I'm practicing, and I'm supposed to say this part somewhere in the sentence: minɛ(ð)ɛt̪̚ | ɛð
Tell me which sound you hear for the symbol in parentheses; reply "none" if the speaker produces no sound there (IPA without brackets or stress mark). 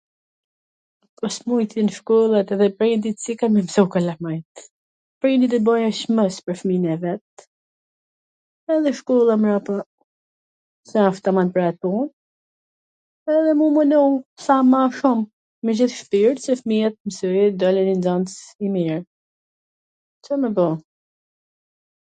v